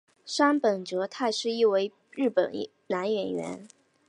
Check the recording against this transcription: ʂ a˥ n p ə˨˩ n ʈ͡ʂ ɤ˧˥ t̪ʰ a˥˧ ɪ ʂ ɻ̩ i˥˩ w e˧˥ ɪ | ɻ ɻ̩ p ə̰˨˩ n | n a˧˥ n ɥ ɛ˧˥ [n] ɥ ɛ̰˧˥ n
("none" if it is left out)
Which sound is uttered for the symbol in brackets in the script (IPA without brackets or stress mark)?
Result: n